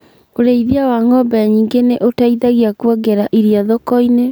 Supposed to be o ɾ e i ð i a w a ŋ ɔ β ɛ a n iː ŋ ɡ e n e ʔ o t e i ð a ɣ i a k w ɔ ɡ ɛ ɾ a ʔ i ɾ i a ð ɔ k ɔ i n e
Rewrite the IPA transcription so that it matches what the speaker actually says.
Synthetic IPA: o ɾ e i ð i a w a ŋ ɔ b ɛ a ɲ iː ŋ ɡ e n e ʔ o t a i ð a ɣ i a k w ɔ ɡ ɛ ɾ a ʔ i ɾ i a ð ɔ k ɔ i n e

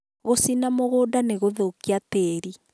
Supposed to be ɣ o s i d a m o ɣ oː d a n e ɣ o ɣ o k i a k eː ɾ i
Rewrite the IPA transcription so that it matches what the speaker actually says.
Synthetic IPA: ɣ o s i n a m o ɣ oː d a n e ɣ o ð o k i a t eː ɾ i

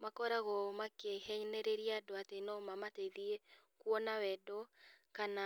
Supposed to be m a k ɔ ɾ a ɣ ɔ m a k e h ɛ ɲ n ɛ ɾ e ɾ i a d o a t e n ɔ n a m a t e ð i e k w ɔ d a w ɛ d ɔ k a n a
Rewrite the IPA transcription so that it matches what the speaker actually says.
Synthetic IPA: m a k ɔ ɾ a ɣ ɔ m a k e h ɛ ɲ n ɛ ɾ e ɾ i a d o a t e n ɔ m a m a t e ð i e k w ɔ n a w ɛ d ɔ k a n a

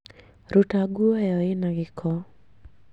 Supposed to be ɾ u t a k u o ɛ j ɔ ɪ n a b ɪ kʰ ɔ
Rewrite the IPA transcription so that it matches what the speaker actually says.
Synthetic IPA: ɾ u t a ɡ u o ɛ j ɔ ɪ n a ɡ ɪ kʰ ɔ

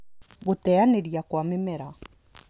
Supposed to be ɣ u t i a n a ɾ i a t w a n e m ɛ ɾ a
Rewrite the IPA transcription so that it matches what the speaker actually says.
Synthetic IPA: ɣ o t ɛ a n e ɾ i a k w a m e m ɛ ɾ a

